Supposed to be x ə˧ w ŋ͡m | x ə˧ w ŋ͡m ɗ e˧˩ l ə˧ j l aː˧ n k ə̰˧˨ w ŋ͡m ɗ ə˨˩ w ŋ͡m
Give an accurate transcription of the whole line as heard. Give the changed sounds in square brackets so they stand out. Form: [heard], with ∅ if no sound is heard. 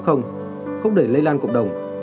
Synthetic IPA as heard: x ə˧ w ŋ͡m | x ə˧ w ŋ͡m ɗ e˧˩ l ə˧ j l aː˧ n k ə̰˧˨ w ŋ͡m ɗ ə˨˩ w ŋ͡m